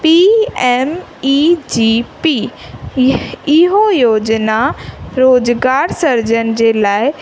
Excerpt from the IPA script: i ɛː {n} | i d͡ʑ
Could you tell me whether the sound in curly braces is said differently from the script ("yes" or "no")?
yes